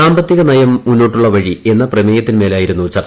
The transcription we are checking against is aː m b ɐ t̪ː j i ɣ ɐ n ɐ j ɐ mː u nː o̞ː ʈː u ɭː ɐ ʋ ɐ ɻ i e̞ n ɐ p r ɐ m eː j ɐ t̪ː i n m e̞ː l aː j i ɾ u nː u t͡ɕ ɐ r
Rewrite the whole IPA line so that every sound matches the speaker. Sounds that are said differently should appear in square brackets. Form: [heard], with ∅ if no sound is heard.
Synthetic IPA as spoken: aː m b ɐ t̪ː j i ɣ ɐ n ɐ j ɐ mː u nː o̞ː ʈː u ɭː ɐ ʋ ɐ ɻ i e̞ [nː] ɐ p r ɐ m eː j ɐ t̪ː i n m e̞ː l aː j i ɾ u nː u t͡ɕ ɐ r